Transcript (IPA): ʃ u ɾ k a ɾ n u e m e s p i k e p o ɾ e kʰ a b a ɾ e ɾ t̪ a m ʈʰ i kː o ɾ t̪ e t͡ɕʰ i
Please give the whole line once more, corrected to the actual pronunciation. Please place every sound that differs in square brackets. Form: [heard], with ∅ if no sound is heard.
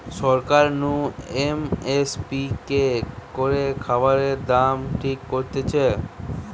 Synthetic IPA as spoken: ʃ [ɔ] ɾ k a ɾ n u e m e s p i k e [k] o ɾ e kʰ a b a ɾ e ɾ [d̪] a m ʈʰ i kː o ɾ t̪ e t͡ɕʰ [e]